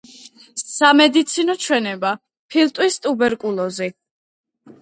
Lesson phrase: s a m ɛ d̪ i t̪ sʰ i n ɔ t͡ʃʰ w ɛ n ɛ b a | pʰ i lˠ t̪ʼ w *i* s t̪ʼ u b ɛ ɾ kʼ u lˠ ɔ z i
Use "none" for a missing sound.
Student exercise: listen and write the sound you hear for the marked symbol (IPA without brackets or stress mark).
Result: i